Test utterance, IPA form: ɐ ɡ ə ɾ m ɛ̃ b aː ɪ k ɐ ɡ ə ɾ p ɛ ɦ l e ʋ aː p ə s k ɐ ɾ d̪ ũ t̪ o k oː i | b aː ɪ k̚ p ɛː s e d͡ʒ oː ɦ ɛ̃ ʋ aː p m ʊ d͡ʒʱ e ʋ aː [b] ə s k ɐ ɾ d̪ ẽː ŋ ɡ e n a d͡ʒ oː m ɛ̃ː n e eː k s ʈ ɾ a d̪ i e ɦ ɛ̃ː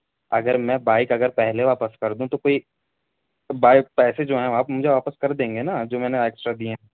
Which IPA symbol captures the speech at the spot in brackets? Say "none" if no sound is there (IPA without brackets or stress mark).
p